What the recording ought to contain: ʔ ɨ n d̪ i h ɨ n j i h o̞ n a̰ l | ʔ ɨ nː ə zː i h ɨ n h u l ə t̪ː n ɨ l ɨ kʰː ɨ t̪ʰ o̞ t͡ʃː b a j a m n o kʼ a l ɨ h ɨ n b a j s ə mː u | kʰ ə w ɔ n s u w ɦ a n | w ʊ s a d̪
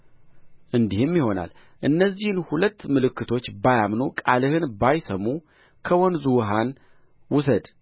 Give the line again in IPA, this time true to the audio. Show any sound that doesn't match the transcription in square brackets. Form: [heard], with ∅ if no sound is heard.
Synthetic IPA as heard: ʔ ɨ n d̪ i h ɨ [m] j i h o̞ n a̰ l | ʔ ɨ nː ə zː i h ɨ n h u l ə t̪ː [m] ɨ l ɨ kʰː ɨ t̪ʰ o̞ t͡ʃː b a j a m n o kʼ a l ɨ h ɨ n b a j s ə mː u | kʰ ə w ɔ n [z] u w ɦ a n | w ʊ s [ə] d̪